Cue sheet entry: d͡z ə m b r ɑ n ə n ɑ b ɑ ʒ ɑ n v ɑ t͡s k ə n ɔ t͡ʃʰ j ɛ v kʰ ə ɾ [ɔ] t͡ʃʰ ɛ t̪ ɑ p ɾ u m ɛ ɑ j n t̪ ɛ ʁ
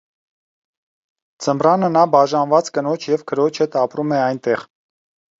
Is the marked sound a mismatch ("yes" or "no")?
no